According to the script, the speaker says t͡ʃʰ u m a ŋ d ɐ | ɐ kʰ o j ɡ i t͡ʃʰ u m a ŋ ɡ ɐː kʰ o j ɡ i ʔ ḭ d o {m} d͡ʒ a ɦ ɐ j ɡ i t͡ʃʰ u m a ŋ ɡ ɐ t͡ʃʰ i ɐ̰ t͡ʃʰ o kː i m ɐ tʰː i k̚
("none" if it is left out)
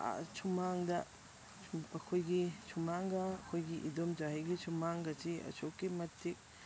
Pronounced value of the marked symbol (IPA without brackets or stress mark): m